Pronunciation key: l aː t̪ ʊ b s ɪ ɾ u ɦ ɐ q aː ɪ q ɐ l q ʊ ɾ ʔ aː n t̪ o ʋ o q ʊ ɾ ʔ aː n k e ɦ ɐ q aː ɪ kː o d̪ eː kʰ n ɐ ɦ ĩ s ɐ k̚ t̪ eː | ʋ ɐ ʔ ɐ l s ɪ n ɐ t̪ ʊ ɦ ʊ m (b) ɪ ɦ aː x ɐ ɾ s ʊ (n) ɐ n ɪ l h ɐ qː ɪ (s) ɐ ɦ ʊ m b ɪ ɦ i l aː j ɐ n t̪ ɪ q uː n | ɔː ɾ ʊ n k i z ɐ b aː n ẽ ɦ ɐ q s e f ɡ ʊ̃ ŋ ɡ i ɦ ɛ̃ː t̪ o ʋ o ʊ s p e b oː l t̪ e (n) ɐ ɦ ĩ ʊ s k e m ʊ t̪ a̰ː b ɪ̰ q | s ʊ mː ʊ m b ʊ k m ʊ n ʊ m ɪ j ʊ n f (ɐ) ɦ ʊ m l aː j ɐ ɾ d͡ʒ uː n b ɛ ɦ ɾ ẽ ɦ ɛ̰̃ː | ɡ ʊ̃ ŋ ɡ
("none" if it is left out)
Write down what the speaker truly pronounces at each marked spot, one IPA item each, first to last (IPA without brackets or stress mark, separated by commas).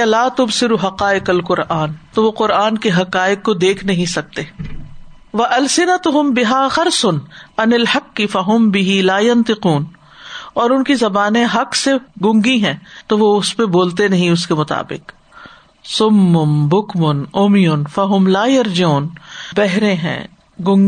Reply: b, n, f, n, ɐ